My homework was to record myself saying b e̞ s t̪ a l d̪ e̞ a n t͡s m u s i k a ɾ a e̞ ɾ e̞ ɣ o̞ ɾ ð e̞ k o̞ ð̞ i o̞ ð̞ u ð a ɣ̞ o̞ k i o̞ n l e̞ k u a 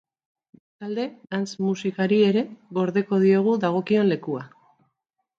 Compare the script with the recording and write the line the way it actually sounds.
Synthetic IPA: b e̞ s t̪ a l d̪ e̞ a n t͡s m u s i k a ɾ i e̞ ɾ e̞ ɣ o̞ ɾ ð e̞ k o̞ ð̞ i o̞ ɣ̞ u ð a ɣ̞ o̞ k i o̞ n l e̞ k u a